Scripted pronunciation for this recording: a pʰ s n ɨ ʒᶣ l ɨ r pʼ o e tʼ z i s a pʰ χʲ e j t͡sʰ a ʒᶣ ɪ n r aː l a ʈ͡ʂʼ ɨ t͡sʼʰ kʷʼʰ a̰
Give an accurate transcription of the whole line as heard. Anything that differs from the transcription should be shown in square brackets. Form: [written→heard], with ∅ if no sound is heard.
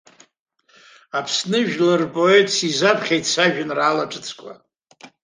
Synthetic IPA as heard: a pʰ s n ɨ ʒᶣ l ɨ r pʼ o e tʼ [z→s] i [s→z] a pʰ χʲ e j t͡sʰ a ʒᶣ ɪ n r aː l a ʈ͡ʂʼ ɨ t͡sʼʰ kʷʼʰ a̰